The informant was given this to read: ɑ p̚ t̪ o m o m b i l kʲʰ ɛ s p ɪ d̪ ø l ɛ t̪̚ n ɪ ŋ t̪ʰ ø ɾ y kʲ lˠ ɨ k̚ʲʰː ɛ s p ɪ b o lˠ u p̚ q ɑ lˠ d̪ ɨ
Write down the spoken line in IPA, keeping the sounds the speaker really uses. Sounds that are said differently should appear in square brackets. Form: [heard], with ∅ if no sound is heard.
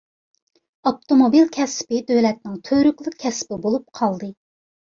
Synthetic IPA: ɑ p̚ t̪ o m o [∅] b i l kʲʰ ɛ s p ɪ d̪ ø l ɛ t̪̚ n ɪ ŋ t̪ʰ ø ɾ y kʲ lˠ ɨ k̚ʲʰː ɛ s p ɪ b o lˠ u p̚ [qʰ] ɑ lˠ d̪ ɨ

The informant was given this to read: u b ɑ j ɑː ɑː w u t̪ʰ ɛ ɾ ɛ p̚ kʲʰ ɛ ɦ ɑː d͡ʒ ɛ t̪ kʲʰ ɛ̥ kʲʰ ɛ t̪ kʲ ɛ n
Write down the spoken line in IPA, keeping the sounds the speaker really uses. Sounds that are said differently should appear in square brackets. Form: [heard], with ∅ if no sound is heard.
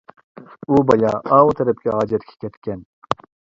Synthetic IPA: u b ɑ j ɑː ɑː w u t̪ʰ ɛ ɾ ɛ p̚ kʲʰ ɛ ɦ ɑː d͡ʒ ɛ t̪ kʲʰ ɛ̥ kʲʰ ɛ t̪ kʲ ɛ n

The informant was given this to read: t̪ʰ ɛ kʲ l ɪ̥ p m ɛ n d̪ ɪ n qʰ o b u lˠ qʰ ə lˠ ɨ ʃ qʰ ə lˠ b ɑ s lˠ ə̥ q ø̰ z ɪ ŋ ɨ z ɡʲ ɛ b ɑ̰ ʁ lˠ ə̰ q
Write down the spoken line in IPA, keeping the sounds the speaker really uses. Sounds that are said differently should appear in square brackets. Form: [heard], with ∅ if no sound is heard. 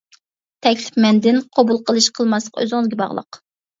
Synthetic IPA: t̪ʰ ɛ kʲ l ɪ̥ p m ɛ n d̪ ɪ n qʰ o b u lˠ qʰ ə lˠ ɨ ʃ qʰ ə lˠ [m] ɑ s lˠ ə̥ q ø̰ z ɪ ŋ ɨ z ɡʲ ɛ b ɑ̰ ʁ lˠ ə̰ q

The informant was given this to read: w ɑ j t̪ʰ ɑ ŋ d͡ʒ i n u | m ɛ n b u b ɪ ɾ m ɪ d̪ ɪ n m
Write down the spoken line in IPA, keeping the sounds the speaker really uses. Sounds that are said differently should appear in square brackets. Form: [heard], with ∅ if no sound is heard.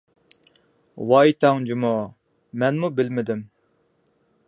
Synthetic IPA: w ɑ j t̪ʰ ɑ ŋ d͡ʒ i [m] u | m ɛ n [m] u b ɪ [l] m ɪ d̪ ɪ [∅] m

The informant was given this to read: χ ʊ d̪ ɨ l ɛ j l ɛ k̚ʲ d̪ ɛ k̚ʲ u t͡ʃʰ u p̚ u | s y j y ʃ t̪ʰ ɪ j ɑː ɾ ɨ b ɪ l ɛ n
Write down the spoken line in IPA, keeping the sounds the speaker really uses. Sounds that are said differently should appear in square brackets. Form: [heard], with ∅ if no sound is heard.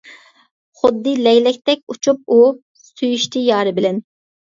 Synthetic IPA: χ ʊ [d̪ː] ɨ l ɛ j l ɛ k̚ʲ [t̪] ɛ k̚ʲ u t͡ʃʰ u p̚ u | s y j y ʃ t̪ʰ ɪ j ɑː ɾ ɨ b ɪ l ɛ n

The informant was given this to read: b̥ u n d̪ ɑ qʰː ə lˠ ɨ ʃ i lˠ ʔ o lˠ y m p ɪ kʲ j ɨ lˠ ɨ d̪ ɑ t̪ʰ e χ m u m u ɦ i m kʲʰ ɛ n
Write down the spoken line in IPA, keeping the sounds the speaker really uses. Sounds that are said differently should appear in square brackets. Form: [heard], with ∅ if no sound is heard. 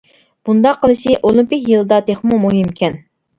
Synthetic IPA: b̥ u n d̪ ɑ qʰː ə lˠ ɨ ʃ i [∅] ʔ o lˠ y m p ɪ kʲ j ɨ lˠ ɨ d̪ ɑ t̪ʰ e χ m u m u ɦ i m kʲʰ ɛ n

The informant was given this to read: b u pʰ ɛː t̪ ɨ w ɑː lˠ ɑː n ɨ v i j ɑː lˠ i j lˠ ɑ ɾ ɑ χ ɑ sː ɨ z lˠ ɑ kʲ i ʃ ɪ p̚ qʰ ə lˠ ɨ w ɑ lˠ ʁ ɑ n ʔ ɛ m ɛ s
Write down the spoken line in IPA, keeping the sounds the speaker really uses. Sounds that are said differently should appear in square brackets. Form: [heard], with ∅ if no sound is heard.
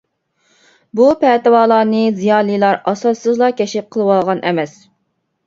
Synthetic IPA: b u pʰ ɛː t̪ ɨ w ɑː lˠ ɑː n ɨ [z] i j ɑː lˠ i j lˠ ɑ ɾ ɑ [s] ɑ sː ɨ z lˠ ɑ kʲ [ɛ] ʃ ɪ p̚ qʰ ə lˠ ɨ w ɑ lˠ ʁ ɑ n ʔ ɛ m ɛ s

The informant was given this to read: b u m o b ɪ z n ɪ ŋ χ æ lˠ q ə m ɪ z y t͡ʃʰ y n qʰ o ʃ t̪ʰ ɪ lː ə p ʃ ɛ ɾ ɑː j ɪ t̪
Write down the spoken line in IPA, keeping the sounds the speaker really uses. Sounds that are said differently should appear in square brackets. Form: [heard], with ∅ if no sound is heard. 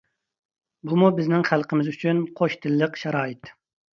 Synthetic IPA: b u m [u] b ɪ z n ɪ ŋ χ æ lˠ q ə m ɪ z y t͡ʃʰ y n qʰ o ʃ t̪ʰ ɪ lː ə [q] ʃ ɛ ɾ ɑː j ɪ t̪

